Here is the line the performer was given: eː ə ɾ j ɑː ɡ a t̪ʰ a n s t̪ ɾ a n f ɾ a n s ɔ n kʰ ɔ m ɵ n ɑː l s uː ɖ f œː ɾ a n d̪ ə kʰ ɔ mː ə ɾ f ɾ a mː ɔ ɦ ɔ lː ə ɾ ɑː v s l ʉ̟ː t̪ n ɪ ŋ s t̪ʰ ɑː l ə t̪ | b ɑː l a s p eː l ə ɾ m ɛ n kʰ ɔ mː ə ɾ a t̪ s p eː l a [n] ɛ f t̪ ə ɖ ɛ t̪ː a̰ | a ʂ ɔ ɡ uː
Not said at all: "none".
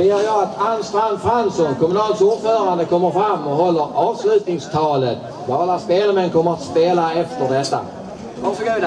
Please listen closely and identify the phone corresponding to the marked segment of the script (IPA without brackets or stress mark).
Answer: none